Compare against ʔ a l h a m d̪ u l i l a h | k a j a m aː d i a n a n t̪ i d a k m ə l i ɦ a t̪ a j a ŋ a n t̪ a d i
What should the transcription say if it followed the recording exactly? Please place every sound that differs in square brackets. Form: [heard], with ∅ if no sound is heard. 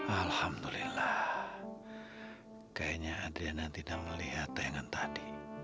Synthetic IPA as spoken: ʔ a l h a m d̪ u l i l a h | k a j a [ɲ] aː d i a n a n t̪ i d a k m ə l i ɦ a t̪ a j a ŋ a n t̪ a d i